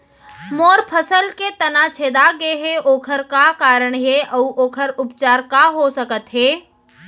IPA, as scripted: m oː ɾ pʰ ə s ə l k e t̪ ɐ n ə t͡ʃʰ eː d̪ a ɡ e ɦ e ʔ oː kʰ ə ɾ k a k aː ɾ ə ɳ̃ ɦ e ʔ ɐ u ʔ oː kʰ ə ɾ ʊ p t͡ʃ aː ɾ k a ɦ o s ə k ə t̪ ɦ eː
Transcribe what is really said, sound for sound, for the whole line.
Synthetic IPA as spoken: m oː ɾ pʰ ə s ə l k e t̪ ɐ n a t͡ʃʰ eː d̪ a ɡ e ɦ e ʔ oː kʰ ə ɾ k a k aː ɾ ə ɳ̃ ɦ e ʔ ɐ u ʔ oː kʰ ə ɾ ʊ p t͡ʃ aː ɾ k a ɦ o s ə k ə t̪ ɦ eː